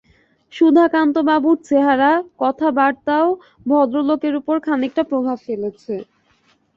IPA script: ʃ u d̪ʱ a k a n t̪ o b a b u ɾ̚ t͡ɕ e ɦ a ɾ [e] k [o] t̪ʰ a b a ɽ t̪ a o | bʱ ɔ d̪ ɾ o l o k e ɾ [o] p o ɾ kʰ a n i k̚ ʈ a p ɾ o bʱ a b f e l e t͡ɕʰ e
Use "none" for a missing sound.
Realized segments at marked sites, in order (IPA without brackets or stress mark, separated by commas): a, ɔ, u